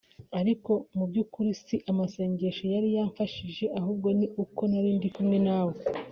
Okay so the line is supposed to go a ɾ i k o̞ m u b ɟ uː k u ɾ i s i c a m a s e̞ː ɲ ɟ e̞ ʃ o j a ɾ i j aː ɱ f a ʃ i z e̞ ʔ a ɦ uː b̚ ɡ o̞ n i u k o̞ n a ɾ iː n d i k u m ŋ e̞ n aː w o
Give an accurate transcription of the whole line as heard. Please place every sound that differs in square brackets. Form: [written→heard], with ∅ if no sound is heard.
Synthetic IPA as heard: a ɾ i k o̞ m u b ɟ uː k u ɾ i s i [c→ʔ] a m a s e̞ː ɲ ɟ e̞ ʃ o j a ɾ i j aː ɱ f a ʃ i [z→ʒ] e̞ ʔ a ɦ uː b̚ ɡ o̞ n i u k o̞ n a ɾ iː n d i k u m ŋ e̞ n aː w o